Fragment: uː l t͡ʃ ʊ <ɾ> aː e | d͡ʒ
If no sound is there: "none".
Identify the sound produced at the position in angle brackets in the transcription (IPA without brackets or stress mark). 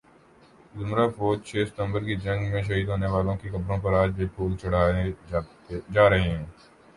ɽ